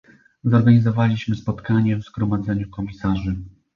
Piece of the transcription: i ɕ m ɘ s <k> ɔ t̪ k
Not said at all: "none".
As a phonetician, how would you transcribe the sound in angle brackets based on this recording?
p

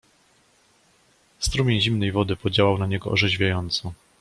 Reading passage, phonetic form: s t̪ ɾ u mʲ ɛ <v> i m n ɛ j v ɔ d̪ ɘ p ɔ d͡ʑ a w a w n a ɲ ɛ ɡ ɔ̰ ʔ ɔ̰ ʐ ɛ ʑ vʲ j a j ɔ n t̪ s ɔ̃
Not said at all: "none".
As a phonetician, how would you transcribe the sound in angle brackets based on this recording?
ʑ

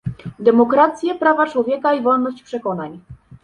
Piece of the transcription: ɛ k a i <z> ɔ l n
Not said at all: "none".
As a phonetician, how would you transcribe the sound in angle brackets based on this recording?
v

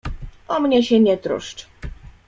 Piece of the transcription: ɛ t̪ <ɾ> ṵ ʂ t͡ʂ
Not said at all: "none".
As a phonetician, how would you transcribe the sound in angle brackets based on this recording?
ɾ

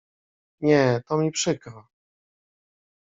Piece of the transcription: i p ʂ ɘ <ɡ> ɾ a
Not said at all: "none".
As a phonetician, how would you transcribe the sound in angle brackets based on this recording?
k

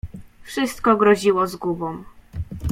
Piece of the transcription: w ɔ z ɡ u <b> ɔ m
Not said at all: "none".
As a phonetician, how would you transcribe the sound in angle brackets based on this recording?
b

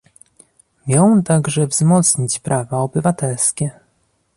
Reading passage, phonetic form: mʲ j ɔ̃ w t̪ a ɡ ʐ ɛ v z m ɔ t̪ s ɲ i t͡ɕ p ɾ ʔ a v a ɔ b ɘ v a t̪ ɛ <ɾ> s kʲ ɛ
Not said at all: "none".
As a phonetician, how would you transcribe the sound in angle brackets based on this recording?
l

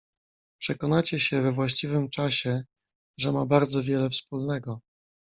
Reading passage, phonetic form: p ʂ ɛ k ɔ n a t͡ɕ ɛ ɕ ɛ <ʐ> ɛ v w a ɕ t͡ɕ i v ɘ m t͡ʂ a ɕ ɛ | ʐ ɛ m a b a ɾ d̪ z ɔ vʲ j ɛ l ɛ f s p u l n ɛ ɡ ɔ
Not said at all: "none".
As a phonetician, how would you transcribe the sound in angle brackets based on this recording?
v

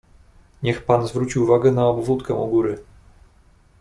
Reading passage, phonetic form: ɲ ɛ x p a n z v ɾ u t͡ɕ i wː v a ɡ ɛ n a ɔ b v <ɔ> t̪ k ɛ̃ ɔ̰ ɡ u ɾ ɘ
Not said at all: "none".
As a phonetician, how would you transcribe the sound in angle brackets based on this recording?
u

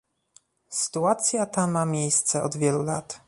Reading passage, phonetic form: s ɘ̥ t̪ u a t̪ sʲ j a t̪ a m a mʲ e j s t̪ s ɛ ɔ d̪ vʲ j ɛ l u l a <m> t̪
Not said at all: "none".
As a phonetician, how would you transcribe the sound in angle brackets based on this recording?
none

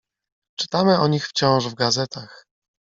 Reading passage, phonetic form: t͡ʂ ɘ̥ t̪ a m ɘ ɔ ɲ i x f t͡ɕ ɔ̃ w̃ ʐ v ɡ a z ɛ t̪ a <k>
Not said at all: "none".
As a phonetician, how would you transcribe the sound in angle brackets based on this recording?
x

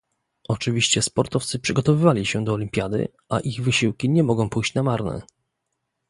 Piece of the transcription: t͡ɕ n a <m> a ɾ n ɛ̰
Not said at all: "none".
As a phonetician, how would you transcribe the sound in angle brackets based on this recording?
m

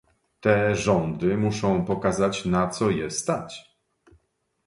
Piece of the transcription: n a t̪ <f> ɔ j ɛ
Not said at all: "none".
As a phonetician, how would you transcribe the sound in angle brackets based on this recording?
s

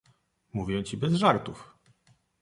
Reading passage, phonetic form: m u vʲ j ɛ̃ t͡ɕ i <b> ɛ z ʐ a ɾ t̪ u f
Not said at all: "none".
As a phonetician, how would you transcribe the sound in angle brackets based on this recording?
b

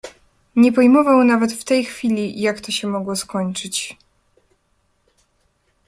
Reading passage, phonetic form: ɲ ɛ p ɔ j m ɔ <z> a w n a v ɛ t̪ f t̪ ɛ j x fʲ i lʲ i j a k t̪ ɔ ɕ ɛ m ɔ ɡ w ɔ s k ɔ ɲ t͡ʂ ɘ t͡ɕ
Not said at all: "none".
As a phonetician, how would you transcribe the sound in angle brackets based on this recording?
v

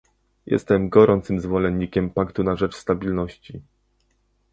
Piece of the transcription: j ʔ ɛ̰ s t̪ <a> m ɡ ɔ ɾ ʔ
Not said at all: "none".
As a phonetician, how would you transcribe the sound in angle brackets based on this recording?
ɛ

